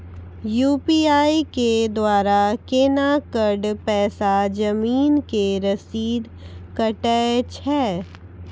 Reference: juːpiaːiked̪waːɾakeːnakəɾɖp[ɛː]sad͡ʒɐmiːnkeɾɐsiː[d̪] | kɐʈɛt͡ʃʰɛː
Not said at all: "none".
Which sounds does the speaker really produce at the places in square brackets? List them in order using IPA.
ɛː, d̪

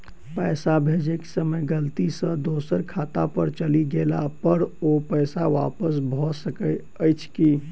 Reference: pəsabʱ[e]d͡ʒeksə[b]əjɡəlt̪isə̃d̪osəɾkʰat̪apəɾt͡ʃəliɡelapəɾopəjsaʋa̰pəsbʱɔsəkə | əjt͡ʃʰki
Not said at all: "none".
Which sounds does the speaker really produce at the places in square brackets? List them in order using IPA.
e, m

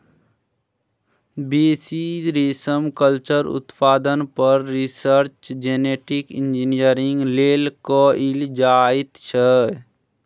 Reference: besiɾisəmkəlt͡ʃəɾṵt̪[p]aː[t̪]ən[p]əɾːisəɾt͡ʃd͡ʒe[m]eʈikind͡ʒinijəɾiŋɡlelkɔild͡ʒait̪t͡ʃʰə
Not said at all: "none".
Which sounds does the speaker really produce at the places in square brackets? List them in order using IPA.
p, d̪, p, n

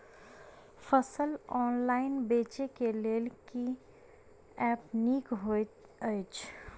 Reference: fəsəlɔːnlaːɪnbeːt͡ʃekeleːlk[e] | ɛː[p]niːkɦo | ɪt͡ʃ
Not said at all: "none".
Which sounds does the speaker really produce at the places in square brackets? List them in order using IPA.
i, p

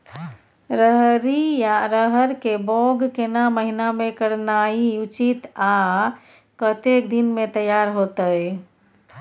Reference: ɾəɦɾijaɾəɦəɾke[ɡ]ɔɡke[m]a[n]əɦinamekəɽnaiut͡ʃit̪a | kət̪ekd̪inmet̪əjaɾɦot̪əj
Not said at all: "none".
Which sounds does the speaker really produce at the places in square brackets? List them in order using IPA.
b, n, m

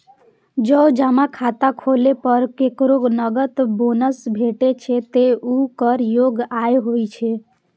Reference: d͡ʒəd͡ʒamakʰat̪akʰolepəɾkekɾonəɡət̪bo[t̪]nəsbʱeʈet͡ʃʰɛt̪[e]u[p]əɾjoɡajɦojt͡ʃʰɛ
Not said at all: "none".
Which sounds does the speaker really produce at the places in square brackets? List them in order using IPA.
none, e, k

